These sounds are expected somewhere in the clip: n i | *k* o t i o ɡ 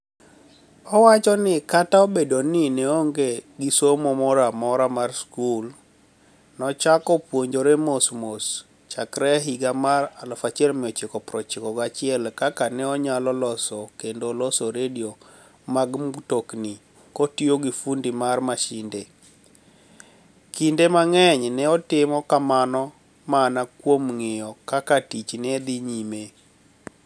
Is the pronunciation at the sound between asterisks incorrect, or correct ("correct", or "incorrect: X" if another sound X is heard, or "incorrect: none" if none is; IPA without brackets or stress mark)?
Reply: correct